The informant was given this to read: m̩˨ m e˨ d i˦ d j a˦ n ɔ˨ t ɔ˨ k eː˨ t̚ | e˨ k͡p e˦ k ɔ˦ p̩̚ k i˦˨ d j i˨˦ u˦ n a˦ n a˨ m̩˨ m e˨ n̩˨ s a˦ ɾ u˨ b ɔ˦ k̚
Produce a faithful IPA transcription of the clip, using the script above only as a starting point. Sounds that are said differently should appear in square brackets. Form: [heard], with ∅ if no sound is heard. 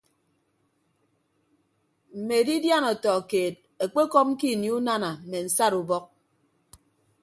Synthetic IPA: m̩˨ m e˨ d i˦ d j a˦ n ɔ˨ t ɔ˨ k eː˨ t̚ | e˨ k͡p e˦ k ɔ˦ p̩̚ k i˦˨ [n] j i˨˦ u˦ n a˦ n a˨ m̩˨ m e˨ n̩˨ s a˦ ɾ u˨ b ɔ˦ k̚